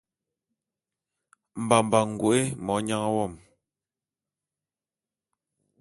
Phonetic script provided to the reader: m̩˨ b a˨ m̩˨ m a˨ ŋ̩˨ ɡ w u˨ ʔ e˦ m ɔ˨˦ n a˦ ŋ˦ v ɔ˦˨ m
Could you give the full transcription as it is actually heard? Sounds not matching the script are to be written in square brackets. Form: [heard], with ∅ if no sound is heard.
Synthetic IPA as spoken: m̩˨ b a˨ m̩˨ [b] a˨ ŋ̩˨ ɡ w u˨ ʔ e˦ m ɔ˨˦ [ɲ] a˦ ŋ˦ [w] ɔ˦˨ m